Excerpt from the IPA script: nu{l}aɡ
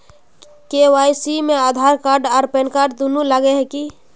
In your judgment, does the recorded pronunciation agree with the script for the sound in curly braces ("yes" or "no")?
yes